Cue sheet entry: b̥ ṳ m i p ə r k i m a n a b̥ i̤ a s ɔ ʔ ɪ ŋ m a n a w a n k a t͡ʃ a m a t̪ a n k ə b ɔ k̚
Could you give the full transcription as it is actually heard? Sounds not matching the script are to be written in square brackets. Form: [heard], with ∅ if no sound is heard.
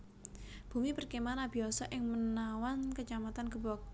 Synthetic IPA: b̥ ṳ m i p ə r k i m a n a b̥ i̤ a s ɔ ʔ ɪ ŋ m [ə] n a w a n k [ə] t͡ʃ a m a t̪ a n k ə b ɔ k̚